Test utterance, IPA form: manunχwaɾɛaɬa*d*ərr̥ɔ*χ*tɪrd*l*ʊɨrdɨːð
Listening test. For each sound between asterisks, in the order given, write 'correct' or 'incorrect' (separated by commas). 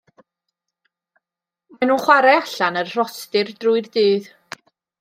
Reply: incorrect, incorrect, incorrect